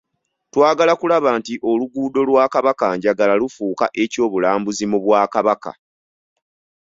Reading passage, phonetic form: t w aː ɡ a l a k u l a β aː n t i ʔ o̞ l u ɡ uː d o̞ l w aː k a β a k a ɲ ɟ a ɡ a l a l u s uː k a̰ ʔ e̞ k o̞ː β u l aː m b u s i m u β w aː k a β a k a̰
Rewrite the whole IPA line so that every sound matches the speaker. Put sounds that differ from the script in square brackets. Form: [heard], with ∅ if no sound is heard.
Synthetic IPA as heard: t w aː ɡ a l a k u l a β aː n t i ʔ o̞ l u ɡ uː d o̞ l w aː k a β a k a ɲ ɟ a ɡ a l a l u [f] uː k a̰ ʔ e̞ [c] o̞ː β u l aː m b u [z] i m u β w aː k a β a k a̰